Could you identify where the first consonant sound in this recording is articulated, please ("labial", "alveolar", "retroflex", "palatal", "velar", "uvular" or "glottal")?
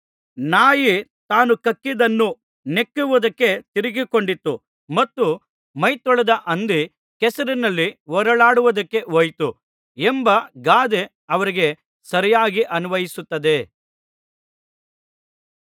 alveolar